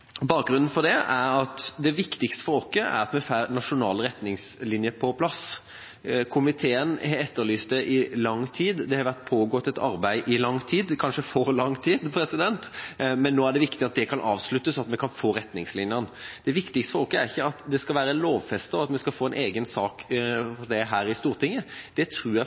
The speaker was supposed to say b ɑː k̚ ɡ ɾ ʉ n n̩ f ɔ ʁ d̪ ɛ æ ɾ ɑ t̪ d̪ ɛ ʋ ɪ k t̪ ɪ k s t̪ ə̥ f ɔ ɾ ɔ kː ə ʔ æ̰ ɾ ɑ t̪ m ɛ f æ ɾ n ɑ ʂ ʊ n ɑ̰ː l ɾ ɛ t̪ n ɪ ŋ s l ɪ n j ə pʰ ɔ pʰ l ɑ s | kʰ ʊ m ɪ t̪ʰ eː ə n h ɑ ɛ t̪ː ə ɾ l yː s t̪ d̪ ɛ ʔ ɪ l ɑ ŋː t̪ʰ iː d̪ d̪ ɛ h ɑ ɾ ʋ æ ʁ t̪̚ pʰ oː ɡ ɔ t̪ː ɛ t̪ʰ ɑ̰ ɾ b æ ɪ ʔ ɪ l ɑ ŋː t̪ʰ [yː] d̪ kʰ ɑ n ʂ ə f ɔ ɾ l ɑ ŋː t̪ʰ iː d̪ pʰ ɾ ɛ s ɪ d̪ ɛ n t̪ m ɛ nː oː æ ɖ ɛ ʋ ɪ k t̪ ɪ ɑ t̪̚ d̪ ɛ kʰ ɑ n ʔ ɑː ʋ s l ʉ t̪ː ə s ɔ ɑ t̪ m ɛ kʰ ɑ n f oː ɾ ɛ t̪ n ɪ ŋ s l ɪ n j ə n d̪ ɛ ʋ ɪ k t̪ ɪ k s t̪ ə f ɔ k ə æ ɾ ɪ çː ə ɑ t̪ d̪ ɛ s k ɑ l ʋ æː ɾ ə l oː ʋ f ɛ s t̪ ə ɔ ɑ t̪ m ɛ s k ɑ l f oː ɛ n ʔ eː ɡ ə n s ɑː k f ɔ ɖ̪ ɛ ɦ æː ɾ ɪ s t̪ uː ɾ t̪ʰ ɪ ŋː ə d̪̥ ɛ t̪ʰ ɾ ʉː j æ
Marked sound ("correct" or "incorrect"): incorrect